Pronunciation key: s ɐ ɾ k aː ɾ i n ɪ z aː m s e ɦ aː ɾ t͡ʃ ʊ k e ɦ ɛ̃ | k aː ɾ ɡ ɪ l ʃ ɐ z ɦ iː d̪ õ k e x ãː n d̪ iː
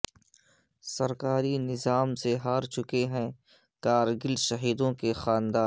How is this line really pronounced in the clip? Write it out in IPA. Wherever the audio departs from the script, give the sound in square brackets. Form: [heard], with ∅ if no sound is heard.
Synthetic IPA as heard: s ɐ ɾ k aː ɾ i n ɪ z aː m s e ɦ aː ɾ t͡ʃ ʊ k e ɦ ɛ̃ | k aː ɾ ɡ ɪ l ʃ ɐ [∅] ɦ iː d̪ õ k e x [aː] n d̪ [aː]